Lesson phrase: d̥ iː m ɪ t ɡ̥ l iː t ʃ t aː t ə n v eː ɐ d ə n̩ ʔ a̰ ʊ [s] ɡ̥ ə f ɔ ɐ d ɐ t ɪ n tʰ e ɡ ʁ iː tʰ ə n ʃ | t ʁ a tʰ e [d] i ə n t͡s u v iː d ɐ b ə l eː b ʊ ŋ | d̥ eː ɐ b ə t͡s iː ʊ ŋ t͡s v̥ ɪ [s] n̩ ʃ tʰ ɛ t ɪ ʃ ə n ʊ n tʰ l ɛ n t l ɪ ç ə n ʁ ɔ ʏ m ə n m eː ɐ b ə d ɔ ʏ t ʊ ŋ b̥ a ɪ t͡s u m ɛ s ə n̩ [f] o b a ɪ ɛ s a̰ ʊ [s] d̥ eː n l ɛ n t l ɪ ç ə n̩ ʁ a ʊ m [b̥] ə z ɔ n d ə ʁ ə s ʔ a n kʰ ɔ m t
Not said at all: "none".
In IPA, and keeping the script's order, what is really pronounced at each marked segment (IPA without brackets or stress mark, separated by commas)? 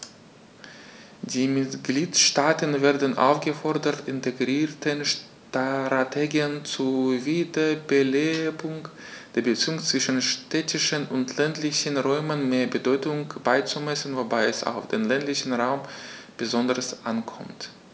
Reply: f, ɡ, ʃ, v, f, b̥